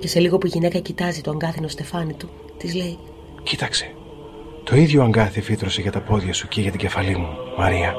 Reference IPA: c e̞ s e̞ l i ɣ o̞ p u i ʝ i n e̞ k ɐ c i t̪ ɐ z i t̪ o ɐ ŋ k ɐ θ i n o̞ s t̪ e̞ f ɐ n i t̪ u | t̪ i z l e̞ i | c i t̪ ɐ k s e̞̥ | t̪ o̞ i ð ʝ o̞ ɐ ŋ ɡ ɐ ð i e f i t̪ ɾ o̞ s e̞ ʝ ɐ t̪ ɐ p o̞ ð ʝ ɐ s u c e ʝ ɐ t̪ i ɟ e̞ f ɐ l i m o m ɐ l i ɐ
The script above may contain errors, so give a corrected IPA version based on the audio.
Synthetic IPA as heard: c e̞ s e̞ l i ɣ o̞ p u i ʝ i n e̞ k ɐ c i t̪ ɐ z i t̪ o ɐ ŋ ɡ ɐ θ i n o̞ s t̪ e̞ f ɐ n i t̪ u | t̪ i z l e̞ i | c i t̪ ɐ k s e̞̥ | t̪ o̞ i ð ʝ o̞ ɐ ŋ ɡ ɐ θ i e f i t̪ ɾ o̞ s e̞ ʝ ɐ t̪ ɐ p o̞ ð ʝ ɐ s u c e ʝ ɐ t̪ i ɟ e̞ f ɐ l i m u m ɐ ɾ i ɐ